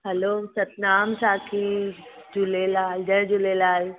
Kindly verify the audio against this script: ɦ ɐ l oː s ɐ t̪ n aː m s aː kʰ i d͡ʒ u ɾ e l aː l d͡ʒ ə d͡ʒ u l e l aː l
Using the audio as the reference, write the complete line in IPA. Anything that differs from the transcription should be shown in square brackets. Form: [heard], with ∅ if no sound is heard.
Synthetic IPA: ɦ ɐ l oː s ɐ t̪ n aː m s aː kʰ i d͡ʒ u [l] e l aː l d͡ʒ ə d͡ʒ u l e l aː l